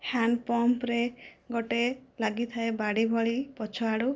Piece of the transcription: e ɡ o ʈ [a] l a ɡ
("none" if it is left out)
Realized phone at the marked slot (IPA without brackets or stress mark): e